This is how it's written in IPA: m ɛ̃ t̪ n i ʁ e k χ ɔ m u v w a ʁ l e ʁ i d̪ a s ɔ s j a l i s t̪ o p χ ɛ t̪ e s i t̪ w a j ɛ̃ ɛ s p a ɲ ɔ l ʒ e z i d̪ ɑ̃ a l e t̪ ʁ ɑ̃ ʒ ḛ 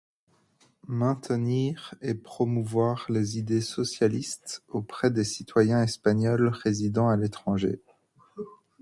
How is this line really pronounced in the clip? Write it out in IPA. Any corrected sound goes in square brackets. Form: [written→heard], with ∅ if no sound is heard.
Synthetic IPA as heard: m ɛ̃ t̪ n i ʁ e [k→p] χ ɔ m u v w a ʁ l e [ʁ→z] i d̪ [a→e] s ɔ s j a l i s t̪ o p χ ɛ [t̪→d̪] e s i t̪ w a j ɛ̃ ɛ s p a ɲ ɔ l [ʒ→ʁ] e z i d̪ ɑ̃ a l e t̪ [ʁ→χ] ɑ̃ ʒ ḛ